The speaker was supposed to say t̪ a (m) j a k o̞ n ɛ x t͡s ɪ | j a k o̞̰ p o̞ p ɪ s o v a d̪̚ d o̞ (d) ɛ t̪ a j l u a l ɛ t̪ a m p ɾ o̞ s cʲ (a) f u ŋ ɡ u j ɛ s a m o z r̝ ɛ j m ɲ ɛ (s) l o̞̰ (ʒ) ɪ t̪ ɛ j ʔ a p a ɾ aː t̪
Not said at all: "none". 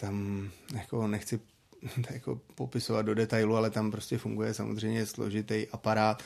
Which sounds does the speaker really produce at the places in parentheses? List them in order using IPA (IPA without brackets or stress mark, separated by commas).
m, d, ɛ, s, ʒ